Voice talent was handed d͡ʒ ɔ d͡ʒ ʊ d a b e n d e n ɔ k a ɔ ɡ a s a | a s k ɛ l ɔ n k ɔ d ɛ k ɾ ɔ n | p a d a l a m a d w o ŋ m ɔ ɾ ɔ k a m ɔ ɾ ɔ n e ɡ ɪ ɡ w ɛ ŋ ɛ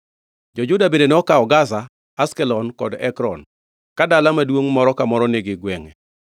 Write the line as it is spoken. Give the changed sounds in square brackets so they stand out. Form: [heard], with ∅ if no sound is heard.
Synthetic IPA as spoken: d͡ʒ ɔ d͡ʒ ʊ d a b e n d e n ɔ k a ɔ ɡ a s a | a s k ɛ l ɔ n k ɔ d ɛ k ɾ ɔ n | [k] a d a l a m a d w o ŋ m ɔ ɾ ɔ k a m ɔ ɾ ɔ n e ɡ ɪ ɡ w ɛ ŋ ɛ